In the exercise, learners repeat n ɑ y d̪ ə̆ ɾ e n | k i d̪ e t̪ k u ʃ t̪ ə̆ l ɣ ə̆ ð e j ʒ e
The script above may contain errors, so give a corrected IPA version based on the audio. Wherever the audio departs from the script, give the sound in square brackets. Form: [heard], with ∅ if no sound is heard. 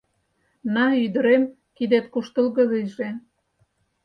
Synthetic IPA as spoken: n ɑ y d̪ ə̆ ɾ e [m] | k i d̪ e t̪ k u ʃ t̪ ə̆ l ɣ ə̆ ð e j ʒ e